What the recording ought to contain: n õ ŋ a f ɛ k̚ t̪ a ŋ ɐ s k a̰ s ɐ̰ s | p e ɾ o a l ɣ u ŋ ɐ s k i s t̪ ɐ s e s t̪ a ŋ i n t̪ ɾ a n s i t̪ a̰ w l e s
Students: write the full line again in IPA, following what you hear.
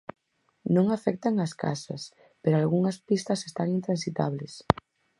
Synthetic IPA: n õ ŋ a f ɛ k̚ t̪ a ŋ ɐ s k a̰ s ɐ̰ s | p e ɾ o a l ɣ u ŋ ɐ s p i s t̪ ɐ s e s t̪ a ŋ i n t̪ ɾ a n s i t̪ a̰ β l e s